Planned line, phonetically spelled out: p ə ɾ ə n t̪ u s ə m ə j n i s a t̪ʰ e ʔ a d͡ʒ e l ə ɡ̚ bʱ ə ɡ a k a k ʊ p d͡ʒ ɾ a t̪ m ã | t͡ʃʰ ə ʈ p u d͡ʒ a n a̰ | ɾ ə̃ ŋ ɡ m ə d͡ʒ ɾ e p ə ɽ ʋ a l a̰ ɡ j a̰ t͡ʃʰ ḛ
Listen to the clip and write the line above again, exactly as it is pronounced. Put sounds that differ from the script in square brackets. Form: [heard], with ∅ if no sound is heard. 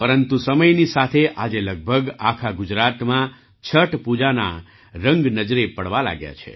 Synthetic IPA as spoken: p ə ɾ ə n t̪ u s ə m ə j n i s a t̪ʰ e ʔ a d͡ʒ e l ə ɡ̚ bʱ ə ɡ a [kʰ] a [ɡ] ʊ [∅] d͡ʒ ɾ a t̪ m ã | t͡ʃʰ ə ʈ p u d͡ʒ a n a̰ | ɾ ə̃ ŋ ɡ [n] ə d͡ʒ ɾ e p ə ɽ ʋ a l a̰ ɡ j a̰ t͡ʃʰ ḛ